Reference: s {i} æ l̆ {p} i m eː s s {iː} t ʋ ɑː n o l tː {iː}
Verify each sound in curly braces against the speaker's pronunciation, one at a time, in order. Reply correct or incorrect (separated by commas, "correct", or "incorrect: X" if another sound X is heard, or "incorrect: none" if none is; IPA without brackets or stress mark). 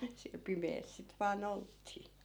correct, correct, incorrect: i, correct